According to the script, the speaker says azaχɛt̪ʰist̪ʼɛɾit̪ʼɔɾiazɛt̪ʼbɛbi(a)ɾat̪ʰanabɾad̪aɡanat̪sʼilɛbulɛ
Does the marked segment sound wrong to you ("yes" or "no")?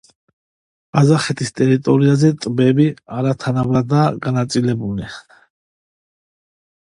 no